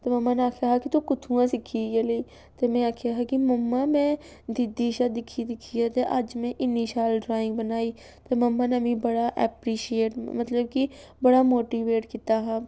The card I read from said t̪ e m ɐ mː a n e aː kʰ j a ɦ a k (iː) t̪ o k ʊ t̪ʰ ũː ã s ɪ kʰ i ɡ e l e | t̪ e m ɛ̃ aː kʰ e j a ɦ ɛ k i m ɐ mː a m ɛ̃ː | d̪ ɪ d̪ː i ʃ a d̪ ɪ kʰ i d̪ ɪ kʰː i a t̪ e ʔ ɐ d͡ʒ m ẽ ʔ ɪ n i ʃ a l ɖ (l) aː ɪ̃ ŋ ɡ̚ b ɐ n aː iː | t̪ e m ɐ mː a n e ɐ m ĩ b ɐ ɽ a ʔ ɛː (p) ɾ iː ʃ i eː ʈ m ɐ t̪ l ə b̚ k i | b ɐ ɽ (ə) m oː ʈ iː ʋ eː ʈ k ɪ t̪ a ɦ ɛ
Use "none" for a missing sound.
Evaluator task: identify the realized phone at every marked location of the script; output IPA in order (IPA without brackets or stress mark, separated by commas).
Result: i, ɾ, p, a